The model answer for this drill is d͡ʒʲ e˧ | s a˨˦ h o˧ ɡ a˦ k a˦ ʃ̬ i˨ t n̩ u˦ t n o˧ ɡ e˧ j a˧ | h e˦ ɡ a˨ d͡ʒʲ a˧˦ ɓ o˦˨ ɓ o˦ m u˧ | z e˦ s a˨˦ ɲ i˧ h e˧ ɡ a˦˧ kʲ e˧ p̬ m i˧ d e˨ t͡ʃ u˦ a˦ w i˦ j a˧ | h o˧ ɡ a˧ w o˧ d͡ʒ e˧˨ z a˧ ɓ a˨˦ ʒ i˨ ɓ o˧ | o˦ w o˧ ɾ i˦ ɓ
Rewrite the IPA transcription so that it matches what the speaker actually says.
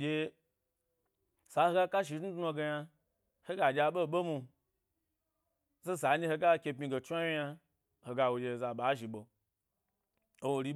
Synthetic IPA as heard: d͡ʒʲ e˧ | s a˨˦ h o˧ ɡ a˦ k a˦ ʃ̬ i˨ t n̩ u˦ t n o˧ ɡ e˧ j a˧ | h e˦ ɡ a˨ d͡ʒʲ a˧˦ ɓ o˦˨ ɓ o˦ m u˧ | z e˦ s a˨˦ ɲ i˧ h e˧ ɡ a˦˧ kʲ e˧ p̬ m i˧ ɡ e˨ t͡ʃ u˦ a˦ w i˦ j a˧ | h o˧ ɡ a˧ w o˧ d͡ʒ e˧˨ z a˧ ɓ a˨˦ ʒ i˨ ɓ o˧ | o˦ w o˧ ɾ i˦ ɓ

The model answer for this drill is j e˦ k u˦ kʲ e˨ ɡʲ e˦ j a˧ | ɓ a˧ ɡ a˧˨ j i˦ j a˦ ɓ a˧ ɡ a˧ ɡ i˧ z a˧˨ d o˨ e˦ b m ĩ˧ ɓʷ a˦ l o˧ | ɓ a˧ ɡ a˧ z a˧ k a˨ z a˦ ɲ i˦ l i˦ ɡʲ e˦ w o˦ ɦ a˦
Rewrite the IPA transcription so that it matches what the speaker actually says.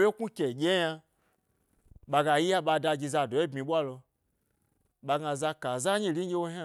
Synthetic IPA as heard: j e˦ k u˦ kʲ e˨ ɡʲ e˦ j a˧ | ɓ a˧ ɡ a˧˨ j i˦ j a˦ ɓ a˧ d a˧ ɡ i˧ z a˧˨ d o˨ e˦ b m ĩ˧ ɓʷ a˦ l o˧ | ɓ a˧ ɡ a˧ z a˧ k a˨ z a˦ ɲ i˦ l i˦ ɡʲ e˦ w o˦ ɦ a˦

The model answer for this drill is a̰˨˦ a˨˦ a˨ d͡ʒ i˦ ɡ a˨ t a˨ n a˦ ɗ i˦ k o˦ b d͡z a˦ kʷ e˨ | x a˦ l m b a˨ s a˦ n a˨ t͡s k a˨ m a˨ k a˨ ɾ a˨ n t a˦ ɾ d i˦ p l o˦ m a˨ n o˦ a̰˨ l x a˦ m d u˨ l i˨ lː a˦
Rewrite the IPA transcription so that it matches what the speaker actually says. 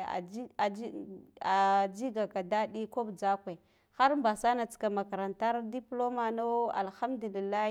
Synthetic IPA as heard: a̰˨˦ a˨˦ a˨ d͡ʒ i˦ ɡ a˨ k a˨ d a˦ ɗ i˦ k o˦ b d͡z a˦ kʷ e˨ | x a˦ ɾ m b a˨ s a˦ n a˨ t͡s k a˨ m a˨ k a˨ ɾ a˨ n t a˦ ɾ d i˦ p l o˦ m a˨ n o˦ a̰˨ l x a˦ m d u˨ l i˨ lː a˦

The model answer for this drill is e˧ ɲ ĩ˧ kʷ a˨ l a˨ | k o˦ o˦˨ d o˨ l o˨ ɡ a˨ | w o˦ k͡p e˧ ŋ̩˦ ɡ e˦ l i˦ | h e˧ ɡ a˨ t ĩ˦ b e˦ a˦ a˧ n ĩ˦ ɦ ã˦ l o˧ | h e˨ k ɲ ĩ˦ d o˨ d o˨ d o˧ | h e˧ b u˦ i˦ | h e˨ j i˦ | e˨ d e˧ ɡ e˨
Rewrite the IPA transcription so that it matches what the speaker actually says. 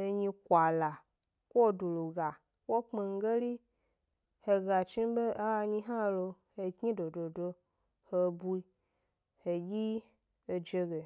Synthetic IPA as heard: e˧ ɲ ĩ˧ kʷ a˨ l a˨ | k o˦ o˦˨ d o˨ l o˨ ɡ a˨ | w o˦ k͡p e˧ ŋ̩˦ ɡ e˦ l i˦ | h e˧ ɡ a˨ t͡ʃ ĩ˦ b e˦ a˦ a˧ ɲ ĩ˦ ɦ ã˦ l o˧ | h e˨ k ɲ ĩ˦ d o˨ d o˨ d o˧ | h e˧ b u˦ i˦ | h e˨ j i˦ | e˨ d͡ʒ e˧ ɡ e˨

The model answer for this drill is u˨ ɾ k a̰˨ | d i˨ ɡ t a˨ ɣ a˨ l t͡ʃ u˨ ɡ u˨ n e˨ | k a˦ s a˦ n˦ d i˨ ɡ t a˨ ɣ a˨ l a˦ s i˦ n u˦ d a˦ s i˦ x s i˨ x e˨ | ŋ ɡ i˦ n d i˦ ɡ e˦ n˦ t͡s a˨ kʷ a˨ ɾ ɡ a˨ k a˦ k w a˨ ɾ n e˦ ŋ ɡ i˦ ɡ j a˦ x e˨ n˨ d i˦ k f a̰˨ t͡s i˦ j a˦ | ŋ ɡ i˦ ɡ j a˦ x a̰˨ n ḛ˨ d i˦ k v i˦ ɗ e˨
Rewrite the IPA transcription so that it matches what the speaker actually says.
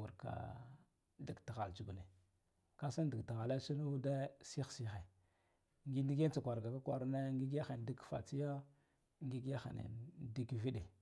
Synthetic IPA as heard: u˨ ɾ k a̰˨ | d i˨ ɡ t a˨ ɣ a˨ l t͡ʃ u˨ ɡ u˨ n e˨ | k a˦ s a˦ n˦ d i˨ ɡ t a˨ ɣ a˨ l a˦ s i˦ n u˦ d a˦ s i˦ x s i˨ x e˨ | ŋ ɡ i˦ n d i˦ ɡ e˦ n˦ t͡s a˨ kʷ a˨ ɾ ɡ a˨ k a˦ k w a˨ ɾ n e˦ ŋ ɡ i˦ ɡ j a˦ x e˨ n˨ d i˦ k f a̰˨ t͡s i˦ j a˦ | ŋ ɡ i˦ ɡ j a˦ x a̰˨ n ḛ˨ d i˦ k v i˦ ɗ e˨

